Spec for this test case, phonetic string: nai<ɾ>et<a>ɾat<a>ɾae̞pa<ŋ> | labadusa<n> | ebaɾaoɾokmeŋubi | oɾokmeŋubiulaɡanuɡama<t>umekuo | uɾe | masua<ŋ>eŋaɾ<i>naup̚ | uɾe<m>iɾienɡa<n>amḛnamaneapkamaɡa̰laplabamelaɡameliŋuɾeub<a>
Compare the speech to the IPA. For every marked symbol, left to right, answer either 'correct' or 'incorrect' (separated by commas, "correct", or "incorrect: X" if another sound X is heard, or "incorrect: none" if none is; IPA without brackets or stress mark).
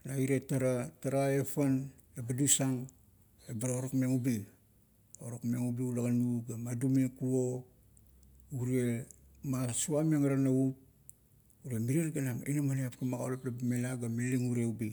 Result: correct, correct, correct, incorrect: n, incorrect: ŋ, incorrect: d, incorrect: m, incorrect: a, correct, correct, incorrect: i